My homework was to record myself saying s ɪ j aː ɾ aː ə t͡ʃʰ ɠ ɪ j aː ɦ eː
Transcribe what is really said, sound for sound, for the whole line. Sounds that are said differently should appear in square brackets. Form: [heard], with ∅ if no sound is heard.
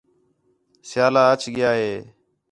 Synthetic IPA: s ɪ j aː [l] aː ə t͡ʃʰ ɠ ɪ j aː ɦ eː

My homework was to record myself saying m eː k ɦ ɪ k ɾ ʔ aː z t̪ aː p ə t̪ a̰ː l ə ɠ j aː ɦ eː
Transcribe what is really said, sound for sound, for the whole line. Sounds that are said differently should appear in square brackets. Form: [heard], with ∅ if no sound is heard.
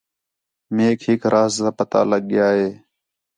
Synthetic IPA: m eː k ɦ ɪ k ɾ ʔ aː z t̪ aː p ə t̪ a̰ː l ə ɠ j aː ɦ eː

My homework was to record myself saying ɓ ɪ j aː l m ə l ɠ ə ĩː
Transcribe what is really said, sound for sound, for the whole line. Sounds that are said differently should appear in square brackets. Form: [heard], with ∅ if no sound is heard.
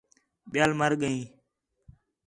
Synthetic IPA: ɓ ɪ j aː l m ə [ɾ] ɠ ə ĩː

